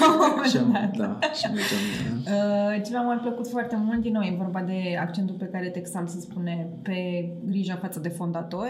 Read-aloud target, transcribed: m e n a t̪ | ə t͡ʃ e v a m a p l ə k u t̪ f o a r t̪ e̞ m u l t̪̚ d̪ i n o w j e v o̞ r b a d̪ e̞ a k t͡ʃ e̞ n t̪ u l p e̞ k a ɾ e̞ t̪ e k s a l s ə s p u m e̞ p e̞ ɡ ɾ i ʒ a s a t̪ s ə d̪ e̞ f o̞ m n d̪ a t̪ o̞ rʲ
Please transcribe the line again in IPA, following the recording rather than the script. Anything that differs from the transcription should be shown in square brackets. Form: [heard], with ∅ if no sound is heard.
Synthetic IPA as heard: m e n a t̪ | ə t͡ʃ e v a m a p l ə k u t̪ f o a r t̪ e̞ m u l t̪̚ d̪ i n o w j e v o̞ r b a d̪ e̞ a k t͡ʃ e̞ n t̪ u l p e̞ k a ɾ e̞ t̪ e k s a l s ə s p u [n] e̞ p e̞ ɡ ɾ i ʒ a [f] a t̪ s ə d̪ e̞ f o̞ [∅] n d̪ a t̪ o̞ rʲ